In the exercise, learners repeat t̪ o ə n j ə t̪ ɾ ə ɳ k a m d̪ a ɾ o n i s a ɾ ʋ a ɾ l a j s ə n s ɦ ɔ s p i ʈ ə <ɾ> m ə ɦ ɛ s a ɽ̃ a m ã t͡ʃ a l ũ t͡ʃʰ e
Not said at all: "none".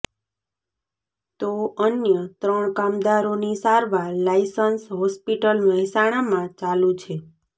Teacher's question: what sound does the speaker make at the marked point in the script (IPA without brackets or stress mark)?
l